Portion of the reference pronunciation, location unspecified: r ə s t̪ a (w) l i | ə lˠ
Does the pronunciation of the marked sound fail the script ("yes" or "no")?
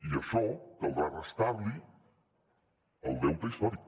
yes